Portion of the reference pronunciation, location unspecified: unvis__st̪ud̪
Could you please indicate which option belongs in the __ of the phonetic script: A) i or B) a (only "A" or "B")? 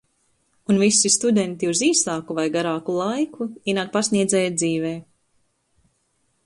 A